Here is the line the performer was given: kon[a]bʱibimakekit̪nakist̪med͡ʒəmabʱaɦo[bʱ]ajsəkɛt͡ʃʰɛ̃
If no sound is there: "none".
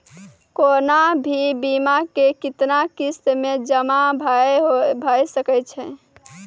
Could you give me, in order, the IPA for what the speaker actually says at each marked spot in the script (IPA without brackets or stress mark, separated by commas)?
a, bʱ